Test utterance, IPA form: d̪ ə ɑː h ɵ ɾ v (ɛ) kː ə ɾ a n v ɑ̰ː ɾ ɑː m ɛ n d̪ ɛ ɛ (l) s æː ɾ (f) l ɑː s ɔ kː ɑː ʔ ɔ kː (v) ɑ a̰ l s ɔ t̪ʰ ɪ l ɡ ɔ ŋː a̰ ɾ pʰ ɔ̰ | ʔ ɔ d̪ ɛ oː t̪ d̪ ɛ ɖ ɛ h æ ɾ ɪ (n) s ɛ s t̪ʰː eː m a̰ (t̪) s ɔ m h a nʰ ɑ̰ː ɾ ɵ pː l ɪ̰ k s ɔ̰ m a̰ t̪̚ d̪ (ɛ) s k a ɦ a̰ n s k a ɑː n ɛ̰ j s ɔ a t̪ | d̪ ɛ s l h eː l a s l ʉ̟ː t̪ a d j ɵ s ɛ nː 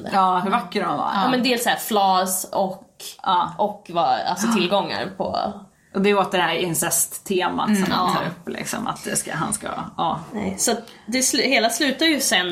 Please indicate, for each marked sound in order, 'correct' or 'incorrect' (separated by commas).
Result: incorrect, correct, correct, correct, correct, correct, correct